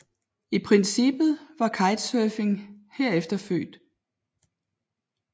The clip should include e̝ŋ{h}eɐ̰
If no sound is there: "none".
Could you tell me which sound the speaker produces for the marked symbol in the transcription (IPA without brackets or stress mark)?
h